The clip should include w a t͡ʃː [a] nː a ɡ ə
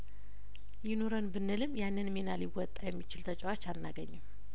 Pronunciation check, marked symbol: correct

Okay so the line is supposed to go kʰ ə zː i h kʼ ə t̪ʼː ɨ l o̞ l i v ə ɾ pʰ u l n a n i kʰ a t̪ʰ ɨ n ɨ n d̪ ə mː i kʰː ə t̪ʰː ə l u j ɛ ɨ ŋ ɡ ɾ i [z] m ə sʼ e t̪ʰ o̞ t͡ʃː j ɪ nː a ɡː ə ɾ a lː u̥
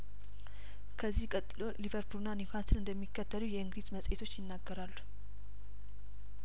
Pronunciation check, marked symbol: correct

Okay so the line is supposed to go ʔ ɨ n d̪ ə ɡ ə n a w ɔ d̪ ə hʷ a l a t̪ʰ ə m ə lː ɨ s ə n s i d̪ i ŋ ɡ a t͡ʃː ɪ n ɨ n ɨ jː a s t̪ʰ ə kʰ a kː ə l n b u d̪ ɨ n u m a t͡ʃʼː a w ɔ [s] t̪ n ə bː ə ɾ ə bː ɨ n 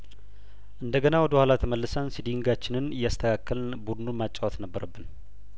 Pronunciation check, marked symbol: incorrect: none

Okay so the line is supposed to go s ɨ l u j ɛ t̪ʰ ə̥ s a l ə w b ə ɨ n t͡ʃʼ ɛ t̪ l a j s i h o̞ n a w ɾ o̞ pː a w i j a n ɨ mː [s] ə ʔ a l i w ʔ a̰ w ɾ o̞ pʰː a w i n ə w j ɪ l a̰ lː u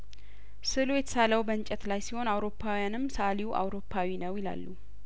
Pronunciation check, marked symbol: correct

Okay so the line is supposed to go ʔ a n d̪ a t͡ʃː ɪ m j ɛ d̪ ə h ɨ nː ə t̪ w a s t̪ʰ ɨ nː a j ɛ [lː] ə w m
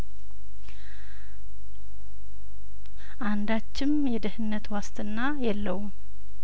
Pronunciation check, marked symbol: correct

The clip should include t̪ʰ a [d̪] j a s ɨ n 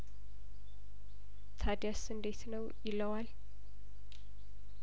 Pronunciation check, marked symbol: correct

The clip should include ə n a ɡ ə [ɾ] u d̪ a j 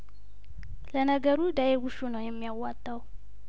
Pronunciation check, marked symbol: correct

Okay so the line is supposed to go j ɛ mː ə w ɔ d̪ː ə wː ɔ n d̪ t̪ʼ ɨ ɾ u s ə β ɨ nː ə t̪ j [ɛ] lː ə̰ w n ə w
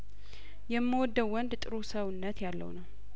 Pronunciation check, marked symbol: incorrect: a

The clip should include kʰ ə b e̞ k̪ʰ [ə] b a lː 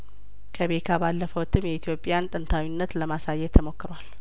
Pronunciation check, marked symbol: incorrect: a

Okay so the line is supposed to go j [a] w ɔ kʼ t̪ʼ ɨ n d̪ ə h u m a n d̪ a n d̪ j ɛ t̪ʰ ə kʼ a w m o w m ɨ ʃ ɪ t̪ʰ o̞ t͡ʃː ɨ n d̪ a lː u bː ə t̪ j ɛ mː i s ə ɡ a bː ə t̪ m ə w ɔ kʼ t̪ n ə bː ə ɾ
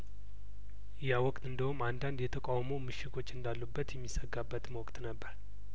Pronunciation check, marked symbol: correct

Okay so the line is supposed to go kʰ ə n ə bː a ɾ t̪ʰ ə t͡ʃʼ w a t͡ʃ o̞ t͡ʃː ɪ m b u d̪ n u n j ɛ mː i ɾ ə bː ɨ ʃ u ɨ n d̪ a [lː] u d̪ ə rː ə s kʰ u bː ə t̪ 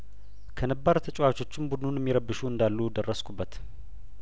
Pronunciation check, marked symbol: correct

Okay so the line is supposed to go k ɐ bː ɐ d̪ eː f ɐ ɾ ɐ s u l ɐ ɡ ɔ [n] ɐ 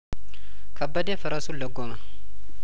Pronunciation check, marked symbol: incorrect: m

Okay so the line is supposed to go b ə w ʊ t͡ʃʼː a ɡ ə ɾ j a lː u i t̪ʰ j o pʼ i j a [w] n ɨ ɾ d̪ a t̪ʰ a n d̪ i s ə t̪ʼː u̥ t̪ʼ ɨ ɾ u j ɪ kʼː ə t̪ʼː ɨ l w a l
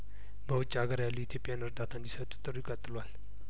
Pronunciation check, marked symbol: incorrect: none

